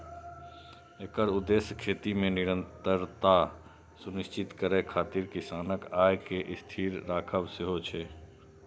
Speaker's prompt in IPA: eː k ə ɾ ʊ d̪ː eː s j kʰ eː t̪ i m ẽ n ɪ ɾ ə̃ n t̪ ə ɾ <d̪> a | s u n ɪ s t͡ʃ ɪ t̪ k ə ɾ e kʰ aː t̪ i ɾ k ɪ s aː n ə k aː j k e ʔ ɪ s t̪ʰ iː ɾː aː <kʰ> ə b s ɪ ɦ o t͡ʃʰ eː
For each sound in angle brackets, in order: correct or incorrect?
incorrect: t̪, correct

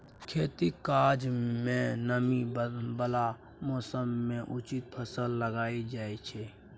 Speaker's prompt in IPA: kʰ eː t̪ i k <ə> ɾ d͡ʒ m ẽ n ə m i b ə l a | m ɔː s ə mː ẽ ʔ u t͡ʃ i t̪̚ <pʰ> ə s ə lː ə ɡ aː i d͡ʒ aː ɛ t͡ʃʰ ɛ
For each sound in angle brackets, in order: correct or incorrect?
incorrect: a, correct

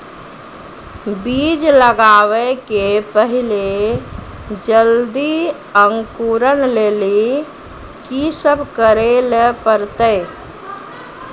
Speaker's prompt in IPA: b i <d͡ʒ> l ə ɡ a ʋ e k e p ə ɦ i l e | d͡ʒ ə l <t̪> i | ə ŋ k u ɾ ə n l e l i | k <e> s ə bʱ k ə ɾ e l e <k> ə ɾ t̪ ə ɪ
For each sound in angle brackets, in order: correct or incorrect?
correct, incorrect: d̪, incorrect: i, incorrect: p

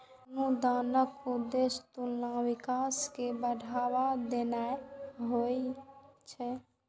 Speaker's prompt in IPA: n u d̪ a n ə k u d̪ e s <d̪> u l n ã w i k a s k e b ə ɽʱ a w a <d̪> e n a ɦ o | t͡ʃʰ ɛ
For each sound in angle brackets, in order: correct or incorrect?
incorrect: t̪, correct

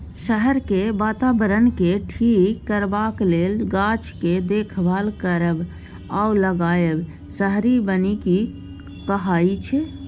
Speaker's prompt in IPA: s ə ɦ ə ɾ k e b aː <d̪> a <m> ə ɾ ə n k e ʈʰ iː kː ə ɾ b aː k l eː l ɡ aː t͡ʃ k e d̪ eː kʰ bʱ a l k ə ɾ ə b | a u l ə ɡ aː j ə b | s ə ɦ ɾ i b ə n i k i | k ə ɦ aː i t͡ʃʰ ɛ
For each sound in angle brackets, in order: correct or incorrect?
incorrect: t̪, incorrect: b

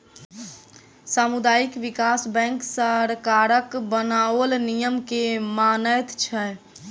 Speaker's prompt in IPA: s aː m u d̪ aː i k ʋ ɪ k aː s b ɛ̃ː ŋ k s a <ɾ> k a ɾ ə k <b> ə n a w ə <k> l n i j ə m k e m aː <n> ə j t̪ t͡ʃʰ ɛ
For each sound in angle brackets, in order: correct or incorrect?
correct, correct, incorrect: none, correct

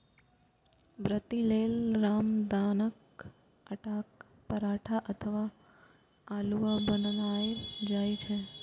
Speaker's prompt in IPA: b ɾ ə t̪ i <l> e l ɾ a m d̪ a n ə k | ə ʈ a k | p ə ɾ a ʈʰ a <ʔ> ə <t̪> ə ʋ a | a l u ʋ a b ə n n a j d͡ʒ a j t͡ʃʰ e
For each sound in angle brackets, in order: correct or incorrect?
correct, correct, incorrect: t̪ʰ

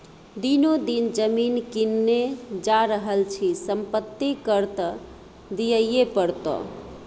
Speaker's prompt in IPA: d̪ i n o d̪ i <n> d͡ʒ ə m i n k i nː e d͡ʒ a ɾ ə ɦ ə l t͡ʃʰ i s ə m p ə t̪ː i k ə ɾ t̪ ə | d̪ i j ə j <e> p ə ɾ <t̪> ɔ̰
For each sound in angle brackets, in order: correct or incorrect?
correct, correct, correct

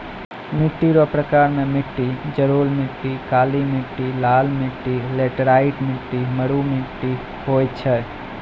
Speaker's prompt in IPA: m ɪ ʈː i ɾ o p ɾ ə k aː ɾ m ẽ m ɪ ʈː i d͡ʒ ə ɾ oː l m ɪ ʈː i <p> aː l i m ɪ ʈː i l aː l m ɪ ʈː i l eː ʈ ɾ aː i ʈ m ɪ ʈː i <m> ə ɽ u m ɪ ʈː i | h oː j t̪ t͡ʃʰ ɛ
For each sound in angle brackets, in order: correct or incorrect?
incorrect: k, correct

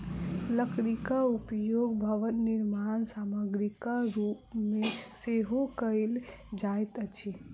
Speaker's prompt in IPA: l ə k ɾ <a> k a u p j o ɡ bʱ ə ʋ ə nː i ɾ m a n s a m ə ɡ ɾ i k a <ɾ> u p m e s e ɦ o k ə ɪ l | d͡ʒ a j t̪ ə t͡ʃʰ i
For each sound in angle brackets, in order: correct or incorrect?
incorrect: i, correct

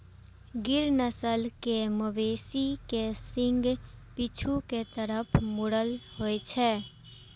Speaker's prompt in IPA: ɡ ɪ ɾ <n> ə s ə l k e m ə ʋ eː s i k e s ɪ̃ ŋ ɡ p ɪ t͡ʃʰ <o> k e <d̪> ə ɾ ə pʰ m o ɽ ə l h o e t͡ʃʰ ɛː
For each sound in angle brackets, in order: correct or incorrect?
correct, incorrect: u, incorrect: t̪

